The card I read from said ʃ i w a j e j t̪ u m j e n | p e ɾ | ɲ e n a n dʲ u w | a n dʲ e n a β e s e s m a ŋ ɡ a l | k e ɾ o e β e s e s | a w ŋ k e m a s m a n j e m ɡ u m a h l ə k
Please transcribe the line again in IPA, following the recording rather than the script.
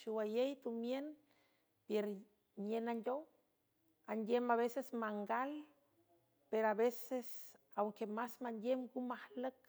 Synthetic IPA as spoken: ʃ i w a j e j t̪ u m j e n | p e ɾ | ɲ e n a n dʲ o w | a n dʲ e m a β e s e s m a ŋ ɡ a l | p e ɾ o a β e s e s | a w ŋ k e m a s m a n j e m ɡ u m a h l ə k